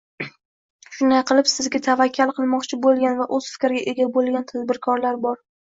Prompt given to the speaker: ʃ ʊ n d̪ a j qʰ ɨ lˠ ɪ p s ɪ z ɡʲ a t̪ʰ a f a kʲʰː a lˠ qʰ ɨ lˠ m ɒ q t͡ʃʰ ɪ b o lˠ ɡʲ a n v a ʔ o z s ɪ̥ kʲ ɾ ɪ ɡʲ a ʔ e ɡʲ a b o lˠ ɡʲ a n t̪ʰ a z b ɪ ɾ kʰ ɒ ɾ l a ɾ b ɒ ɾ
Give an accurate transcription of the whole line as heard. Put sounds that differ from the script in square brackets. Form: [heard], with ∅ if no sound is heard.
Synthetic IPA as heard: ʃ ʊ n d̪ a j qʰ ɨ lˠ ɪ p s ɪ z ɡʲ a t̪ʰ a [v] a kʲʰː a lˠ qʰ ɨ lˠ m ɒ q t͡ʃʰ ɪ b o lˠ ɡʲ a n v a ʔ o z [f] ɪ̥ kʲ ɾ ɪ ɡʲ a ʔ e ɡʲ a b o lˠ ɡʲ a n t̪ʰ a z b ɪ ɾ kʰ ɒ ɾ l a ɾ b ɒ ɾ